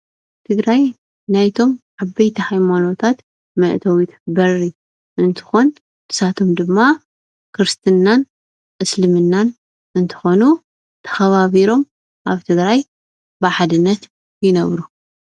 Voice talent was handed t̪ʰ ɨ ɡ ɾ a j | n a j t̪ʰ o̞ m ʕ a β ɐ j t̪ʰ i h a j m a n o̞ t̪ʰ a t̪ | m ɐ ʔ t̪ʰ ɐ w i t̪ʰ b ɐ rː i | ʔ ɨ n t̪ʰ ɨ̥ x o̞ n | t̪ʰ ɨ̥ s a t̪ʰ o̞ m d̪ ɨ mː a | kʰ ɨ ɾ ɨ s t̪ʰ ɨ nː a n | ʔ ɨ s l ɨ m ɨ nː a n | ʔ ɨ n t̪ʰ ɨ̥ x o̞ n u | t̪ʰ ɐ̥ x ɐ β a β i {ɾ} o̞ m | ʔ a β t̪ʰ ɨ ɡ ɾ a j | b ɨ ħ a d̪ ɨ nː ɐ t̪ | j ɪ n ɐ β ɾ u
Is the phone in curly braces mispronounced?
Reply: no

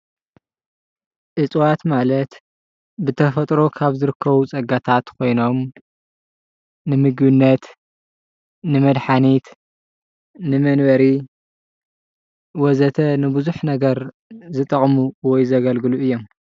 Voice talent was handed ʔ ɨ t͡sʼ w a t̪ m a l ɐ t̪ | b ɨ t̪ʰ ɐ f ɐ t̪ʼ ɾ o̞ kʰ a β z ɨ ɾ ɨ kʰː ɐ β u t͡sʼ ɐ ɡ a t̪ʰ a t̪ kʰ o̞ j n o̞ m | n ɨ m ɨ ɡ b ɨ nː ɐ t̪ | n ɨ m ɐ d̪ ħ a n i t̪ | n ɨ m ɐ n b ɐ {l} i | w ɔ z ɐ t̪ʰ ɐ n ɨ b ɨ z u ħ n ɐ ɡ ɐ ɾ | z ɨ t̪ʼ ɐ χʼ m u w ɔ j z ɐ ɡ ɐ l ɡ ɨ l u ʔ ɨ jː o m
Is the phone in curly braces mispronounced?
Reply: yes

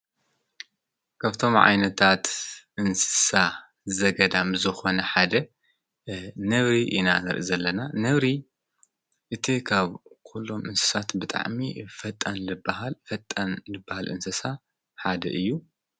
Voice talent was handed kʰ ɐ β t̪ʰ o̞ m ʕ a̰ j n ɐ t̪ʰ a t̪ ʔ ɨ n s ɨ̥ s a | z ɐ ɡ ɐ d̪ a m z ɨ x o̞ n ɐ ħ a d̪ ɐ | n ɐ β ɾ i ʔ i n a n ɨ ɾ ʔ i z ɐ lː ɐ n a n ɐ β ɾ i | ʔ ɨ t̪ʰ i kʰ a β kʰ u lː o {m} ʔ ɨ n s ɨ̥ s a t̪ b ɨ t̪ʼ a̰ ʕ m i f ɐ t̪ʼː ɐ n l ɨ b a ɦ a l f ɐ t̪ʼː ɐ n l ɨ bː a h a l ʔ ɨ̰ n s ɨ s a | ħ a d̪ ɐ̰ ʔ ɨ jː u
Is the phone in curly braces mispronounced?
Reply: no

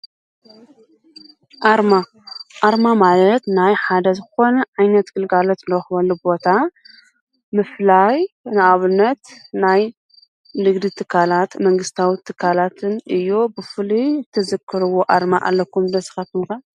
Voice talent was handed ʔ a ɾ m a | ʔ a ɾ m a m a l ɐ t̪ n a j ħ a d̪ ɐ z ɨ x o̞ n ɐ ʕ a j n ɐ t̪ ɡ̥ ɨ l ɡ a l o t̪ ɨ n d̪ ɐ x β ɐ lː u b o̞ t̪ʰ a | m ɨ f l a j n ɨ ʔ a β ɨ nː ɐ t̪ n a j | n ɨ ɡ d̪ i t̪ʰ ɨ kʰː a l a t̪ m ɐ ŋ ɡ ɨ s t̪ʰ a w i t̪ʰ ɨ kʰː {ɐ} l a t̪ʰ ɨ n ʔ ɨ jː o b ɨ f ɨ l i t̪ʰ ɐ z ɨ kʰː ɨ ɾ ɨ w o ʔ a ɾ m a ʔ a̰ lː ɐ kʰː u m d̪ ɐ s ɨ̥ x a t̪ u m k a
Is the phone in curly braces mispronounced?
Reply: yes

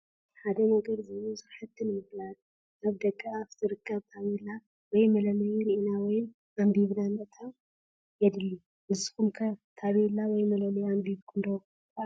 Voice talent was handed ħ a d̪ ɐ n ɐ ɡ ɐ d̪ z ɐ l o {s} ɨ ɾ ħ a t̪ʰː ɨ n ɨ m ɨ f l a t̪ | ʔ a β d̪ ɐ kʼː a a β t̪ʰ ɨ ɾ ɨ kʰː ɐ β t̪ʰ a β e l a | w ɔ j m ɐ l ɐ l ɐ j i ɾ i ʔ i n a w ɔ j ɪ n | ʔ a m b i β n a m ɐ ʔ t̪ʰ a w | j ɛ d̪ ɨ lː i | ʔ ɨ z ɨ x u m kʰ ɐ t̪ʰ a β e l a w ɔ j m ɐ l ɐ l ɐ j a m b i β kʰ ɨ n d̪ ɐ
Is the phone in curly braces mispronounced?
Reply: no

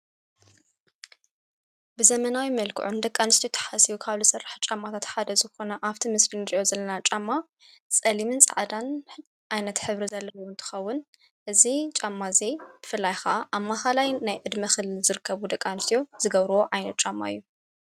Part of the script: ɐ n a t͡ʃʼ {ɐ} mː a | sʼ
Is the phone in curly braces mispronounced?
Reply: yes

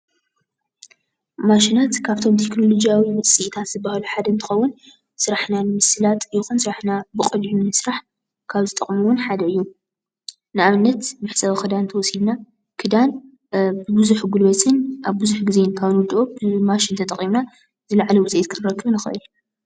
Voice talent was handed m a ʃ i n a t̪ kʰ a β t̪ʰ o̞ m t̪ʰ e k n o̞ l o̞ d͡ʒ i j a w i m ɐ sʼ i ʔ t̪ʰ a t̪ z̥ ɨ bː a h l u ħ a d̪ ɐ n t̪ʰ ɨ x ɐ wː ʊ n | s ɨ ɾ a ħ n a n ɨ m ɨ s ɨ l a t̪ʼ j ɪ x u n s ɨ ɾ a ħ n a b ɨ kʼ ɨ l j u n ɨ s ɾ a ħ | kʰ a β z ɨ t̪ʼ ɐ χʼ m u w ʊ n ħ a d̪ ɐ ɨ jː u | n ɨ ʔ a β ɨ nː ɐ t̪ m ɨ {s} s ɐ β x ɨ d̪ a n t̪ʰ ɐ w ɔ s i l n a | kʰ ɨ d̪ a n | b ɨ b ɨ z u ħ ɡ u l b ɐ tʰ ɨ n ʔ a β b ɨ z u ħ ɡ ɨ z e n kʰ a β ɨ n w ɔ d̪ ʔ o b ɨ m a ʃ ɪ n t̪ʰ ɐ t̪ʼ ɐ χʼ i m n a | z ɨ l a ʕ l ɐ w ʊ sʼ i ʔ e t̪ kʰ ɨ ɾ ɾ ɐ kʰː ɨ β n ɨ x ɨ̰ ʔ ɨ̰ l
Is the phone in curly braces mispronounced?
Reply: yes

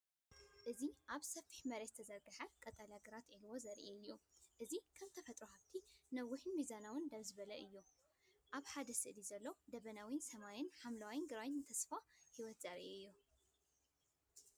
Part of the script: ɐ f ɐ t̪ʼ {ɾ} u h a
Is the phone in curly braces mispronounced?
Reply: no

